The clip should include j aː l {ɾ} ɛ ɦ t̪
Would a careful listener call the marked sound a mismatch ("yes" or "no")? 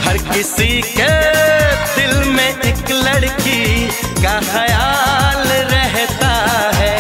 no